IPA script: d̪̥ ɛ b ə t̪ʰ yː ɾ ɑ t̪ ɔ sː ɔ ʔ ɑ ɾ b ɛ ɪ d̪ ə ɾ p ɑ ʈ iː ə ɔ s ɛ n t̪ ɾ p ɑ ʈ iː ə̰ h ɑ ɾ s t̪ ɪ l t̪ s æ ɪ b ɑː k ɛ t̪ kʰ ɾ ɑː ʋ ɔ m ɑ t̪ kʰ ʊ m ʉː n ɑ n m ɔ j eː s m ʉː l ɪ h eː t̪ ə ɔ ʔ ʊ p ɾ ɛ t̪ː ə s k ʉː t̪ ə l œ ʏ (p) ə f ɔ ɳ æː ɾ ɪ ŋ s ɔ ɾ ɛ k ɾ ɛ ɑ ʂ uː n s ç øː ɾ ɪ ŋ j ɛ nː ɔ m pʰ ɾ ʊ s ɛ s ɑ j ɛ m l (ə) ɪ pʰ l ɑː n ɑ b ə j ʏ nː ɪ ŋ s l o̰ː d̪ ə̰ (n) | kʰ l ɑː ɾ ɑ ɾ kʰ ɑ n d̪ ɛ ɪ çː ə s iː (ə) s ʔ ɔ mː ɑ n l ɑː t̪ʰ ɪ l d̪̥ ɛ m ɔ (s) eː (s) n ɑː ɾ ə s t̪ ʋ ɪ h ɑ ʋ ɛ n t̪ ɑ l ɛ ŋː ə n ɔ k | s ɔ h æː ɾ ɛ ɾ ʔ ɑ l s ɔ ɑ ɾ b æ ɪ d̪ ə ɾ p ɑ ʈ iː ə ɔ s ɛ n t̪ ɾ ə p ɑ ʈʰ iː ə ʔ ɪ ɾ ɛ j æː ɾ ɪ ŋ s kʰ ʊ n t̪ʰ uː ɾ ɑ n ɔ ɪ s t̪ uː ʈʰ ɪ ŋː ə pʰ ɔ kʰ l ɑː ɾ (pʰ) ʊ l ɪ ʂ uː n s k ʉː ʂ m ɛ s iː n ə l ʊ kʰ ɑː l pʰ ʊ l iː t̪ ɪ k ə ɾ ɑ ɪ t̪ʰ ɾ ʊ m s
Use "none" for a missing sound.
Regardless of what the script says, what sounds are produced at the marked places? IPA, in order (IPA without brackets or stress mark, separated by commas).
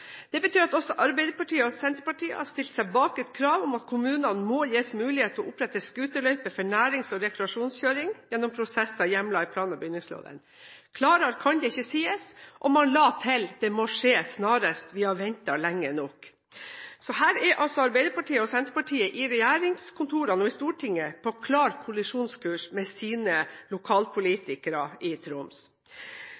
p, ɑ, n, ə, ʂ, s, kʰ